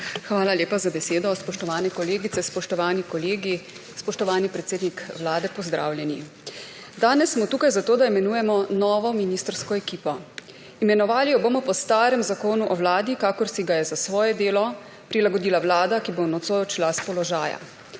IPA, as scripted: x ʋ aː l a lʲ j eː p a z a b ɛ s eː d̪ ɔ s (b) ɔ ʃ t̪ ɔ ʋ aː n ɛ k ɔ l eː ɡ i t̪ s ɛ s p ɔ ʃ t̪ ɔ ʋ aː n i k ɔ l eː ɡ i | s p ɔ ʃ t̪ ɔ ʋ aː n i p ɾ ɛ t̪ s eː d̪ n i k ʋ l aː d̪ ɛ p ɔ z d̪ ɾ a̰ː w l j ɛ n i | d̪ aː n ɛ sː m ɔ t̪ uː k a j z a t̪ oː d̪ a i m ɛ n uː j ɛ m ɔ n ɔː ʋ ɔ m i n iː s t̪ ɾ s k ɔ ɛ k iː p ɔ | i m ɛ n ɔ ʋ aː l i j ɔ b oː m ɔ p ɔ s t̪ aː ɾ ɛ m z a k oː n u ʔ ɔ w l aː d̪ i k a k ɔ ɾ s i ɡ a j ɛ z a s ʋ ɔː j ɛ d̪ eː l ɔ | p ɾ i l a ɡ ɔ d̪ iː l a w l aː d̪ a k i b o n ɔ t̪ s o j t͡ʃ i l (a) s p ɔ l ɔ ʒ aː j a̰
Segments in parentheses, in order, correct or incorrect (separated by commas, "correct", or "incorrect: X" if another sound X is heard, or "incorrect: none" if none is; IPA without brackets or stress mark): incorrect: p, correct